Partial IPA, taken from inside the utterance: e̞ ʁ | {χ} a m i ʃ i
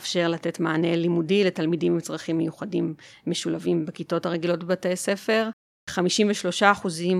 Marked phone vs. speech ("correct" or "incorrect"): correct